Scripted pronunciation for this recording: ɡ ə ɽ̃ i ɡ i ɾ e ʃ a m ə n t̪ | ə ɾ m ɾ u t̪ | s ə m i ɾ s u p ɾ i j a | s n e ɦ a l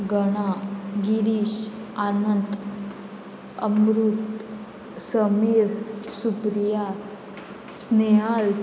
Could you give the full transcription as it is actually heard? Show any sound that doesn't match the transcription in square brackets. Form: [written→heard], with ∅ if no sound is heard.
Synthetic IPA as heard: ɡ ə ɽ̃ [i→a] ɡ i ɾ [e→i] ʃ a [m→n] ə n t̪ | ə [ɾ→∅] m ɾ u t̪ | s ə m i ɾ s u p ɾ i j a | s n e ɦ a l